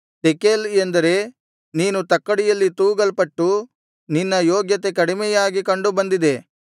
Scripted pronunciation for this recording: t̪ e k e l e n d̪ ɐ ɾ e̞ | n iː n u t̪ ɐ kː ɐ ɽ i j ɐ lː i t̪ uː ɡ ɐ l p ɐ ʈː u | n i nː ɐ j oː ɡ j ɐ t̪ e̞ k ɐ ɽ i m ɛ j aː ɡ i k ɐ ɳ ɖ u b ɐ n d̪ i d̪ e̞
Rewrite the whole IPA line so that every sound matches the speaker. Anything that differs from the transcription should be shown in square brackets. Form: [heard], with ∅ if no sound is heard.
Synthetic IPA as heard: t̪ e k e l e n d̪ ɐ ɾ e̞ | n iː n u t̪ ɐ kː ɐ ɽ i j ɐ lː i t̪ uː ɡ ɐ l p ɐ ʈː u | n i nː ɐ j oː ɡ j ɐ t̪ e̞ k ɐ ɽ i m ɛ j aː ɡ i k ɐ ɳ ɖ u b ɐ n d̪ i d̪ e̞